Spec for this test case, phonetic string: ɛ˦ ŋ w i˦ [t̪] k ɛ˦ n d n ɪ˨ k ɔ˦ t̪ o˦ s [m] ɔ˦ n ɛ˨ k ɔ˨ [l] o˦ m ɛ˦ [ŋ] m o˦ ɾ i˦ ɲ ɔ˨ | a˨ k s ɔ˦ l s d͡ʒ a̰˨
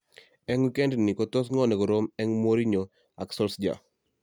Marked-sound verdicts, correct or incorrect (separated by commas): incorrect, incorrect, incorrect, correct